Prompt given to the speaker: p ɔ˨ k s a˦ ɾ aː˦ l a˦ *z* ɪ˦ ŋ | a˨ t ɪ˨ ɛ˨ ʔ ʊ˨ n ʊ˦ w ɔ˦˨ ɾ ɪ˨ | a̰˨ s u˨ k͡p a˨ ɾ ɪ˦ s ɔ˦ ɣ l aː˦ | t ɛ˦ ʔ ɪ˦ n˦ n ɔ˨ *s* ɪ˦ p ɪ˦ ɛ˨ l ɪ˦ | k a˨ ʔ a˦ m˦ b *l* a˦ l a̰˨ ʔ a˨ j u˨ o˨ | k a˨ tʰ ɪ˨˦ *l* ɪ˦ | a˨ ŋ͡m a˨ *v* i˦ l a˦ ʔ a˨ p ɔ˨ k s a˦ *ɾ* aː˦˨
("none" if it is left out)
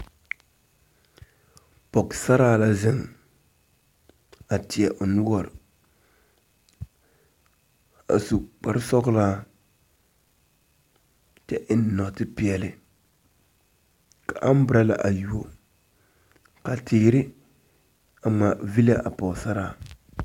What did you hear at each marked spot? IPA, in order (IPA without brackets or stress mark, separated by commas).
z, t, ɾ, ɾ, v, ɾ